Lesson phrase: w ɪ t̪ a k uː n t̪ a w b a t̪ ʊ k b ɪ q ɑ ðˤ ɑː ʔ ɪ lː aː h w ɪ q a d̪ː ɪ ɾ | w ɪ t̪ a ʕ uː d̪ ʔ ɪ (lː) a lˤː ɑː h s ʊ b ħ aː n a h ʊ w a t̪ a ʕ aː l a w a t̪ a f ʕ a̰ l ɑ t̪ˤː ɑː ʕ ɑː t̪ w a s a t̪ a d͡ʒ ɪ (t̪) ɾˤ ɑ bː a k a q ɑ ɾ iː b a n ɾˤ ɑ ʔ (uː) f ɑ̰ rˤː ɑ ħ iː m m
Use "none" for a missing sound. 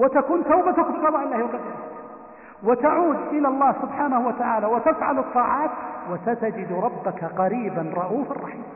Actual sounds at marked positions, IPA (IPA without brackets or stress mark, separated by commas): l, d̪, uː